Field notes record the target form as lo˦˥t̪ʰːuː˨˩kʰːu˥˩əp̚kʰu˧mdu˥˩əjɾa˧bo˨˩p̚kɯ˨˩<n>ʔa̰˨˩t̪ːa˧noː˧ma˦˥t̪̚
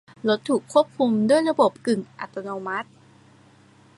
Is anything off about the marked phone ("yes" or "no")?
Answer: yes